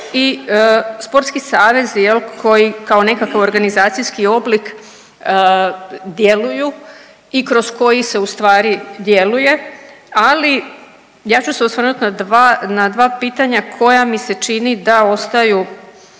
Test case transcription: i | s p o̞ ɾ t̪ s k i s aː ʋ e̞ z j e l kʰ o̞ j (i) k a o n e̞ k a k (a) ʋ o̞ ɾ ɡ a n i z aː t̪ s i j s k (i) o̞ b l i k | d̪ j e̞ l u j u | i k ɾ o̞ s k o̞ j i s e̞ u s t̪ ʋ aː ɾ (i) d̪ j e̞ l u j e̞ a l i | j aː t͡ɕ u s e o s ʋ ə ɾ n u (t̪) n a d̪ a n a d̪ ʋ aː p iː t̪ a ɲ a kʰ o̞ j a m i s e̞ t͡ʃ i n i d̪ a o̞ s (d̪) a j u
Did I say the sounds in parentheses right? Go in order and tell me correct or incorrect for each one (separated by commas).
correct, correct, correct, correct, correct, incorrect